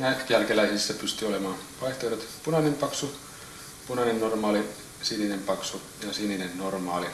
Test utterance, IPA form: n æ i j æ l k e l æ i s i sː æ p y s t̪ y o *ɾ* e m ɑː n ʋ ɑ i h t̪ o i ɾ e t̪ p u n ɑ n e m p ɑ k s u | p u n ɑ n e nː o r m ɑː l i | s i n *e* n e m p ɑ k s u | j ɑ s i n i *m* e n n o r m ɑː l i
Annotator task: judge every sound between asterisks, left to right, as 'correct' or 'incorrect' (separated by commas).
incorrect, incorrect, incorrect